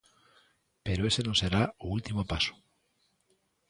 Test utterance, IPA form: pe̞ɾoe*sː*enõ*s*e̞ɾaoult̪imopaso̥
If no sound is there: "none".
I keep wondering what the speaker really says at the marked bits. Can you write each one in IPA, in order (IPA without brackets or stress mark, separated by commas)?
s, s